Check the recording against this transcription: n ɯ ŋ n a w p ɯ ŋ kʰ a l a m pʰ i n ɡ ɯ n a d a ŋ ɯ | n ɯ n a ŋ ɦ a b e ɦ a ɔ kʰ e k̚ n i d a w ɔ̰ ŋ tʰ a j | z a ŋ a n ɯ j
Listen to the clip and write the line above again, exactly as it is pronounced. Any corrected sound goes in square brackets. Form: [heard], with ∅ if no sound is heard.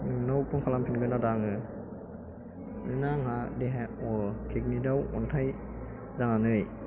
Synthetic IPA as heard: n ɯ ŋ n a w p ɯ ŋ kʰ a l a m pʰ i n ɡ ɯ n a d a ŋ ɯ | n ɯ n a ŋ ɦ a [d] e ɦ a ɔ kʰ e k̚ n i d a w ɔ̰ [n] tʰ a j | z a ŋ a n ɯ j

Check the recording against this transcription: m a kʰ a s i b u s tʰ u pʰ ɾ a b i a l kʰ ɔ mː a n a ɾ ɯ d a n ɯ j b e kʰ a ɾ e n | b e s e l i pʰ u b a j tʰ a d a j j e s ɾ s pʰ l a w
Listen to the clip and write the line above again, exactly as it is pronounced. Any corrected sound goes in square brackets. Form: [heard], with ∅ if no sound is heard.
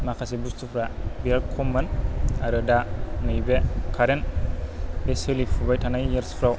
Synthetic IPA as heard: m a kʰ a s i b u s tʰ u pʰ ɾ a b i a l kʰ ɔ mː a n a ɾ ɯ d a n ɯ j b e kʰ a ɾ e n | b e s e l i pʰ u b a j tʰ a [n] a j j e [∅] ɾ s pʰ [ɾ] a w

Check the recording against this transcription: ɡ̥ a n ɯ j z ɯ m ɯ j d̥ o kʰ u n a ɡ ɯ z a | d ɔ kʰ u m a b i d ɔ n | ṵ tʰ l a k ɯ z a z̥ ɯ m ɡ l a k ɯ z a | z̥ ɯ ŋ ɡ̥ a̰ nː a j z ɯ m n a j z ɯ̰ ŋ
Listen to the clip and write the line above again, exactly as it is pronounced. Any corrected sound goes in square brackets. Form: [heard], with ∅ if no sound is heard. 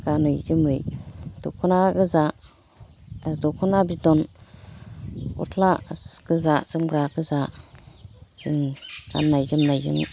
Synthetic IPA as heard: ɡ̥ a n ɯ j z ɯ m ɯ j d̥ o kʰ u n a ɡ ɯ z a | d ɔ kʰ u [n] a b i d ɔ n | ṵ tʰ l a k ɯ z a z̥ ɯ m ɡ [ɾ] a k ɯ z a | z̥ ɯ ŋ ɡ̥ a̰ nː a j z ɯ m n a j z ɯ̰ ŋ

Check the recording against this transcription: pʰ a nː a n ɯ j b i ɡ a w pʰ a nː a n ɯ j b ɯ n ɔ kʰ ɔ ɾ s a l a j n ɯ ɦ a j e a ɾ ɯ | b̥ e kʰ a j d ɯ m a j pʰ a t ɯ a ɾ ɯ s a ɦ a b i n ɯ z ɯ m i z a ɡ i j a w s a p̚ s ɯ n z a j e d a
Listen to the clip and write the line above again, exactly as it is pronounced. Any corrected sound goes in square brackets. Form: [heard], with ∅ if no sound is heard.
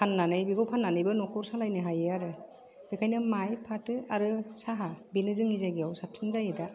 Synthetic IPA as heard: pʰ a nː a n ɯ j b i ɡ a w pʰ a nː a n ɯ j b ɯ n ɔ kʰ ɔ ɾ s a l a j n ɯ ɦ a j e a ɾ ɯ | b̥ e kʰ a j [n] ɯ m a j pʰ a t ɯ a ɾ ɯ s a ɦ a b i n ɯ z ɯ [ŋ] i z a ɡ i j a w s a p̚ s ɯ n z a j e d a

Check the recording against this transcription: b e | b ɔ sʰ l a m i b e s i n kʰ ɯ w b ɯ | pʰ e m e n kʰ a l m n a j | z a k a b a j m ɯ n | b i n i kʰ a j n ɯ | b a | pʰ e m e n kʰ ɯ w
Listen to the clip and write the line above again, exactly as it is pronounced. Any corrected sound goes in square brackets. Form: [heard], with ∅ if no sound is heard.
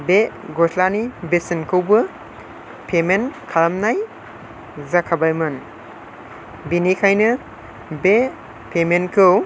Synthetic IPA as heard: b e | [ɡ] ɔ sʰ l a [n] i b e s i n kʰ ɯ w b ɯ | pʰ e m e n kʰ a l m n a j | z a [kʰ] a b a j m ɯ n | b i n i kʰ a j n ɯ | b [e] | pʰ e m e n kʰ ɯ w

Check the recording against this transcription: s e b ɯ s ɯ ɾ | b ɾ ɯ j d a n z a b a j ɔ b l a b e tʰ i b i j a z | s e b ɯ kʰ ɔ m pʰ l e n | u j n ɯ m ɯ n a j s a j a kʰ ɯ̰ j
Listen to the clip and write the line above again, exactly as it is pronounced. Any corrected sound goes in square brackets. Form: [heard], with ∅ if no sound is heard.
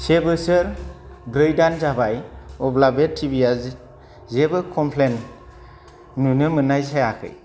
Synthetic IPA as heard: s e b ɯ s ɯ ɾ | b ɾ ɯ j d a n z a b a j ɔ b l a b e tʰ i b i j a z | [z] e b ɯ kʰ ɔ m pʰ l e n | u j n ɯ m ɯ n a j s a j a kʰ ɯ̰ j

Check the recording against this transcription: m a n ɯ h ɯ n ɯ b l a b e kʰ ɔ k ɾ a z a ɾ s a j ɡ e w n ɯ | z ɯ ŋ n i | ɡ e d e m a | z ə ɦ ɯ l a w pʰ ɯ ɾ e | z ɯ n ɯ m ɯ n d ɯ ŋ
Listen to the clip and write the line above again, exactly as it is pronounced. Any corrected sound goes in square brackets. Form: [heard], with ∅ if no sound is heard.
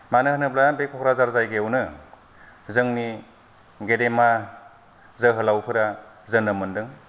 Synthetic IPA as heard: m a n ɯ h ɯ n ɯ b l a b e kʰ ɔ k ɾ a z a ɾ [z] a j ɡ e w n ɯ | z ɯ ŋ n i | ɡ e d e m a | z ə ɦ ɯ l a w pʰ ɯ ɾ [a] | z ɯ n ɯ m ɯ n d ɯ ŋ

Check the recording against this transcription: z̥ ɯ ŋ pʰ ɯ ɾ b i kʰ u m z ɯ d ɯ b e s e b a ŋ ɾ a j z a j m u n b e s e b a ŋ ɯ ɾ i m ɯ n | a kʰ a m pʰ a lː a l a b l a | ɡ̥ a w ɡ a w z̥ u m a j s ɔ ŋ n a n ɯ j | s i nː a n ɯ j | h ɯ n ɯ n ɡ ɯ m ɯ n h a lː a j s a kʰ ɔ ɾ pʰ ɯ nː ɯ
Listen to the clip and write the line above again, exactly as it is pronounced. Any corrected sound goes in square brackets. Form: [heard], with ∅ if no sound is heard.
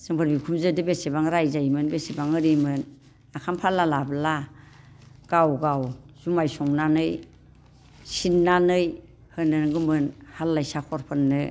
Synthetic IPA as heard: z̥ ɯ ŋ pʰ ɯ ɾ b i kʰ u m z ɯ d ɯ b e s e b a ŋ ɾ a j z a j m [ɯ] n b e s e b a ŋ ɯ ɾ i m ɯ n | a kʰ a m pʰ a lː a l a b l a | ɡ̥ a w ɡ a w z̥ u m a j s ɔ ŋ n a n ɯ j | s i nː a n ɯ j | h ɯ n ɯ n ɡ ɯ m ɯ n h a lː a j s a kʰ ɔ ɾ pʰ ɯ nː ɯ

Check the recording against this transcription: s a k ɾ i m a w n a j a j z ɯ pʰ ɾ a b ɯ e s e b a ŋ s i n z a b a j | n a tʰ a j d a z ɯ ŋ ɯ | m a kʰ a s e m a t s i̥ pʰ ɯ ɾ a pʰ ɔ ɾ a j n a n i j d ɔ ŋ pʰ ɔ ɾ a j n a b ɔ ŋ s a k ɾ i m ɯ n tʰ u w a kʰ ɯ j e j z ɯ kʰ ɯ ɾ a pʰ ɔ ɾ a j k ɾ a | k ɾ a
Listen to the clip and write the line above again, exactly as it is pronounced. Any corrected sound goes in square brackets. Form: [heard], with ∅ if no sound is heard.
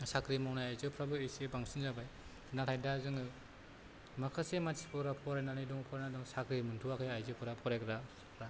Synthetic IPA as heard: s a k ɾ i m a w n a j a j z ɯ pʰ ɾ a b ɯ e s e b a ŋ s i n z a b a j | n a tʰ a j d a z ɯ ŋ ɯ | m a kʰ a s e m a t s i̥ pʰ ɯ ɾ a pʰ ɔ ɾ a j n a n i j d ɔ ŋ pʰ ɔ ɾ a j n a [d] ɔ ŋ s a k ɾ i m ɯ n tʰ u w a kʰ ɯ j [a] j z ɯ [pʰ] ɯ ɾ a pʰ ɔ ɾ a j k ɾ a | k ɾ a

